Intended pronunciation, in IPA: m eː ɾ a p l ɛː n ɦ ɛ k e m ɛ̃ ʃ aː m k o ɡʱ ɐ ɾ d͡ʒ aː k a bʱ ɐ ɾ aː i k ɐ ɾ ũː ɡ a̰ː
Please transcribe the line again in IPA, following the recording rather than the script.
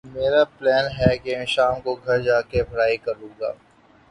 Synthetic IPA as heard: m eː ɾ a p l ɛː n ɦ ɛ k e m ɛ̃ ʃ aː m k o ɡʱ ɐ ɾ d͡ʒ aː k e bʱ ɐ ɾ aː i k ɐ ɾ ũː ɡ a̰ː